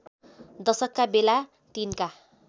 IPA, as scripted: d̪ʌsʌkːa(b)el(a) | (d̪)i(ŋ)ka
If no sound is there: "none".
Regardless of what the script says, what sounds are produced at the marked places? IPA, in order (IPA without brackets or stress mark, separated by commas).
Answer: b, a, t̪, n